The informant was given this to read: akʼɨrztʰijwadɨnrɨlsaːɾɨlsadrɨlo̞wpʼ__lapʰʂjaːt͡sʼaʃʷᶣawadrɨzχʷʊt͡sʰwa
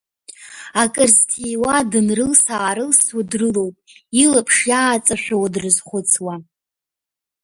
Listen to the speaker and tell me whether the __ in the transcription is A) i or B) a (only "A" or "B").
A